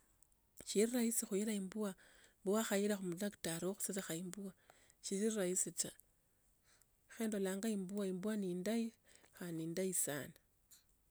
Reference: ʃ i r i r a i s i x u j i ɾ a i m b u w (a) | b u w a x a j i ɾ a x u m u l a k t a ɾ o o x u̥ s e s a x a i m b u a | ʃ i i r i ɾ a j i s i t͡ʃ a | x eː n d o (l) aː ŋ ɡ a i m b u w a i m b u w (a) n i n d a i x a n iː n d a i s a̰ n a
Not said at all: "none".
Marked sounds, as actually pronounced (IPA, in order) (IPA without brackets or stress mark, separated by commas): a, l, a